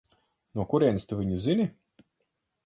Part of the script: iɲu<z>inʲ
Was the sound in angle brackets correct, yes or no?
yes